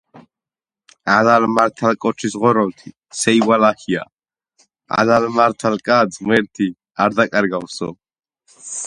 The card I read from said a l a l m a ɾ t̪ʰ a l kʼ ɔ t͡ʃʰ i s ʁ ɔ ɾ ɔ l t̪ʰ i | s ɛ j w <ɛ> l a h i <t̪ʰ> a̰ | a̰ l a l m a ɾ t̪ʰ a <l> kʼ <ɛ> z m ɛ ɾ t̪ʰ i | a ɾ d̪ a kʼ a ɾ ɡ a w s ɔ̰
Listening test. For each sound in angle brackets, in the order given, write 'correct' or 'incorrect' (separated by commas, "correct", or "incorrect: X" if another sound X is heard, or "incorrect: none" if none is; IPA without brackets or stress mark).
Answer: incorrect: a, incorrect: none, correct, incorrect: a